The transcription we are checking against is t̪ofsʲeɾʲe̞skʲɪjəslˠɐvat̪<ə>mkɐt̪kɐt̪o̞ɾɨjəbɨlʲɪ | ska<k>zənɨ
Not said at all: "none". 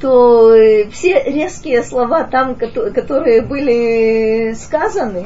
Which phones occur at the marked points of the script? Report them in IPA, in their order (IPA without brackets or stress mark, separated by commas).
a, none